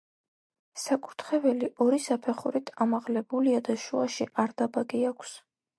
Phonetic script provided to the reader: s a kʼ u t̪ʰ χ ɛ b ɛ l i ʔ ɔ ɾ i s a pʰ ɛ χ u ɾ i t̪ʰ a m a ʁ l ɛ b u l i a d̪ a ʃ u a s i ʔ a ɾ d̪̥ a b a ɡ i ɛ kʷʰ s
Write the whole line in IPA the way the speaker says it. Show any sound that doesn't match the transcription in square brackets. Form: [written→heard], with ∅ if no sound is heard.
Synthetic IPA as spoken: s a kʼ u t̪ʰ χ ɛ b ɛ l i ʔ ɔ ɾ i s a pʰ ɛ χ u ɾ i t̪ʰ a m a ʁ l ɛ b u l i a d̪ a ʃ u a [s→ʃ] i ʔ a ɾ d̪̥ a b a ɡ i [ɛ→a] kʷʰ s